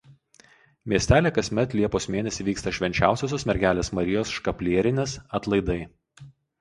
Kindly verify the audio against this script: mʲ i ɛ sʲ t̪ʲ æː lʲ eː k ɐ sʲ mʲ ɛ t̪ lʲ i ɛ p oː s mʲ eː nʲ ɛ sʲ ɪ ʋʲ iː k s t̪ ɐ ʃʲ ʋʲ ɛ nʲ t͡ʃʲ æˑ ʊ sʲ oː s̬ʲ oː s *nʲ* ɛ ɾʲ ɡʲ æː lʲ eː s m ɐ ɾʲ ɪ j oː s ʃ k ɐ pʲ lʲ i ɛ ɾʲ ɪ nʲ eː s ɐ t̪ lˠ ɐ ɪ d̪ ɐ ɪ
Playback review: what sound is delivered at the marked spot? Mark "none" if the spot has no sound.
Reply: mʲ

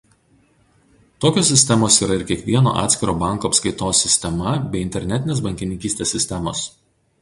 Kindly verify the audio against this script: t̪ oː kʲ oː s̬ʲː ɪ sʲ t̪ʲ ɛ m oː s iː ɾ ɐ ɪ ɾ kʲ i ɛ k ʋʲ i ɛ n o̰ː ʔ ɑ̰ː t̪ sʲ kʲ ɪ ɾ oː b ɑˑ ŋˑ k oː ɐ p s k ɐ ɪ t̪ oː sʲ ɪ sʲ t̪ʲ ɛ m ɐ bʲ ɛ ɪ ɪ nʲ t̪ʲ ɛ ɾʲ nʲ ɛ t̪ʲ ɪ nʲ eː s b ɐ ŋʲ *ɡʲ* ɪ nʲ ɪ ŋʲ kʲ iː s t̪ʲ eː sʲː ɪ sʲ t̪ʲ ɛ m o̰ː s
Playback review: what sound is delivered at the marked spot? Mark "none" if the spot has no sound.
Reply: kʲ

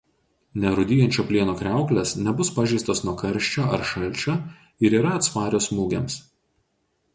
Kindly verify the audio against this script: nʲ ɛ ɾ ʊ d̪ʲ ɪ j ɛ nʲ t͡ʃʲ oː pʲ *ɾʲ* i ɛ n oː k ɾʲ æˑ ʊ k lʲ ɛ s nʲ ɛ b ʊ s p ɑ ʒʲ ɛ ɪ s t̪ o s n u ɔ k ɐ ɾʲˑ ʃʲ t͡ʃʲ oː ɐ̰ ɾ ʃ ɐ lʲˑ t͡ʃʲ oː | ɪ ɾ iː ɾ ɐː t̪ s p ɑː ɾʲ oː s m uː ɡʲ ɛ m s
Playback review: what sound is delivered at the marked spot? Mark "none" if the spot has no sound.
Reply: lʲ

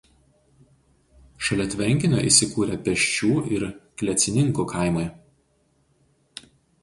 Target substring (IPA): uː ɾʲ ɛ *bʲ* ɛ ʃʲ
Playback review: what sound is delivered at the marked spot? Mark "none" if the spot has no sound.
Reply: pʲ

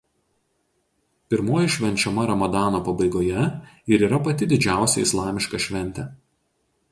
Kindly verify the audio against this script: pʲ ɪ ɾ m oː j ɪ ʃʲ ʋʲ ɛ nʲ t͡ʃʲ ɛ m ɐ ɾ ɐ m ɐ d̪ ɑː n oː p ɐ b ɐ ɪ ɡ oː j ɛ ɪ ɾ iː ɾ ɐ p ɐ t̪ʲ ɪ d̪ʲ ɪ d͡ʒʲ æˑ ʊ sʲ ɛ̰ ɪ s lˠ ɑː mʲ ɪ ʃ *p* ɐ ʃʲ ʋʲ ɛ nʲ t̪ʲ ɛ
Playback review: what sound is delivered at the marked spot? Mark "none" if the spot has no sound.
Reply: k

